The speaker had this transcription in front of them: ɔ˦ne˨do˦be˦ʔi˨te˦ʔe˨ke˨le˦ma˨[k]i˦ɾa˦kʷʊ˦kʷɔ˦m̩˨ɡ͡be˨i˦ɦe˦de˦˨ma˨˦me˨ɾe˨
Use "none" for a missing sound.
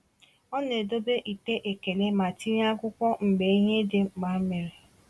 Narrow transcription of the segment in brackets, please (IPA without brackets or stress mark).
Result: t